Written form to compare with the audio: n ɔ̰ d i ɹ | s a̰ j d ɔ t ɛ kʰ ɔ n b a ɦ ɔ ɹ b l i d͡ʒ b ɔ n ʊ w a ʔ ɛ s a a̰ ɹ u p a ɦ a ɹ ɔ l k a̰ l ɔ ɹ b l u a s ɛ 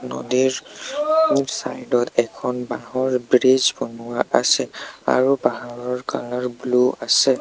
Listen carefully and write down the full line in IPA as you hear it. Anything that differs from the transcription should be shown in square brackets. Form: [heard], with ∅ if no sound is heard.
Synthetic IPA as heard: n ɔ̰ d i ɹ | s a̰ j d ɔ t ɛ kʰ ɔ n b a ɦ ɔ ɹ b [ɹ] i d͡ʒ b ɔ n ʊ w a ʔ [a] s [ɛ] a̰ ɹ u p a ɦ a ɹ ɔ [ɹ] k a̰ l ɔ ɹ b l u a s ɛ